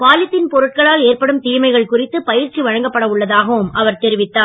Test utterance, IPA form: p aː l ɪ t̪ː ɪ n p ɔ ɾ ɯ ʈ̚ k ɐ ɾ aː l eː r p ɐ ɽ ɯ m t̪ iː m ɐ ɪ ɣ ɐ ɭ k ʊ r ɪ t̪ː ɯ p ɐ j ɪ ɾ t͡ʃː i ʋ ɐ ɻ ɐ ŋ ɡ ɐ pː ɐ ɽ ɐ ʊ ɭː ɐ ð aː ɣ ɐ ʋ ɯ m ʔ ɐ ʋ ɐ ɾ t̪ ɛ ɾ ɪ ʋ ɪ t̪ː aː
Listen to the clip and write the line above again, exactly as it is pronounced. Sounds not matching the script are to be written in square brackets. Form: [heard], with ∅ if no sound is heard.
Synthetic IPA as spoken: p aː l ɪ t̪ː ɪ n p ɔ ɾ ɯ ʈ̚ k ɐ [ɭ] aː l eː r p ɐ ɽ ɯ m t̪ iː m ɐ ɪ ɣ ɐ ɭ k ʊ r ɪ t̪ː ɯ p ɐ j ɪ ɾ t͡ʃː i ʋ ɐ ɻ ɐ ŋ ɡ ɐ pː ɐ ɽ ɐ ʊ ɭː ɐ ð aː ɣ ɐ ʋ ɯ m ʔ ɐ ʋ ɐ ɾ t̪ ɛ ɾ ɪ ʋ ɪ t̪ː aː